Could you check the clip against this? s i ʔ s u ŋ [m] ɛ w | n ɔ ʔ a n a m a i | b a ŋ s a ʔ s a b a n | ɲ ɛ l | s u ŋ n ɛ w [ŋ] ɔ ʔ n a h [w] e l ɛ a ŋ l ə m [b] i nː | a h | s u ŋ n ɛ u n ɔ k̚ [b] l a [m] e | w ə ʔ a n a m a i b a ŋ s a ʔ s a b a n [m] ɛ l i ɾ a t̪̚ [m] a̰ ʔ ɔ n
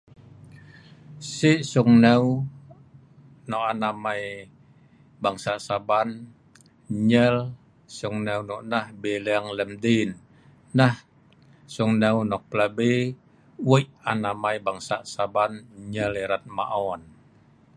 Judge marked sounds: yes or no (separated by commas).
no, no, no, no, no, no, no, yes